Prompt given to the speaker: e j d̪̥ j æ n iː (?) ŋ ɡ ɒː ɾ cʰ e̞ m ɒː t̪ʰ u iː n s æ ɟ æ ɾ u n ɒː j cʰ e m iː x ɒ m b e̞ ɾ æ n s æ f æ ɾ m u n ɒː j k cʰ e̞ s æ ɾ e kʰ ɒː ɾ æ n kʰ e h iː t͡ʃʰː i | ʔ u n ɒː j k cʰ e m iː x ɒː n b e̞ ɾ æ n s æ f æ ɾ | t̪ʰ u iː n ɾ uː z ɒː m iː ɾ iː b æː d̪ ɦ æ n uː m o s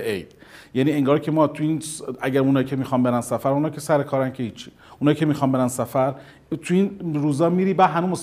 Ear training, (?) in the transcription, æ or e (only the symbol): e